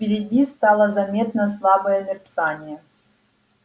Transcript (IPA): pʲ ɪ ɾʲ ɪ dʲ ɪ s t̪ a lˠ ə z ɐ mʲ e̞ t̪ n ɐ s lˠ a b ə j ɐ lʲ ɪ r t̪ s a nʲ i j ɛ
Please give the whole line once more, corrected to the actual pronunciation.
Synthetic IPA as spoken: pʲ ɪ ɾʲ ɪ dʲ i s t̪ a lˠ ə z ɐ mʲ e̞ t̪ n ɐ s lˠ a b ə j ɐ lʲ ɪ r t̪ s a nʲ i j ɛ